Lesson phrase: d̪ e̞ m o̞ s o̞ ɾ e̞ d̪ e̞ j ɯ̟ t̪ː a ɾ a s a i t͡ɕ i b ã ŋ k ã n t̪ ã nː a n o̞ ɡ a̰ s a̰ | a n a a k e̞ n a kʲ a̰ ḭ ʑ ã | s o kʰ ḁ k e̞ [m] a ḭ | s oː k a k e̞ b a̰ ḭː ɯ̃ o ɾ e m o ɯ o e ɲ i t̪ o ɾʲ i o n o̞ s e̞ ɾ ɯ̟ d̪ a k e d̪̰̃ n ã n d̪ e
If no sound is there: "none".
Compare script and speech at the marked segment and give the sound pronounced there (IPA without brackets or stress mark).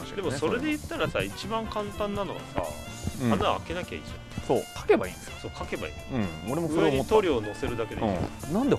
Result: b